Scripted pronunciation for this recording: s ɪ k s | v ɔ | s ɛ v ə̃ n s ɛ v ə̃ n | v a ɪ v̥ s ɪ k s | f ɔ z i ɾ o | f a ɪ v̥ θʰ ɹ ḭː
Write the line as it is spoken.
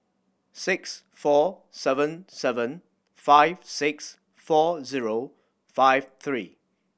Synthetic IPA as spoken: s ɪ k s | f ɔ | s ɛ v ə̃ n s ɛ v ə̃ n | f a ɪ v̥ s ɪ k s | f ɔ z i ɹ o | f a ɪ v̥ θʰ ɹ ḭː